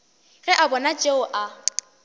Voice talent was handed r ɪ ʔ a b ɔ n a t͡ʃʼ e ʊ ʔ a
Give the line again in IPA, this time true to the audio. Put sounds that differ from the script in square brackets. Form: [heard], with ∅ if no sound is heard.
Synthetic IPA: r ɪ ʔ a b ɔ n a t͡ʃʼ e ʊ ʔ a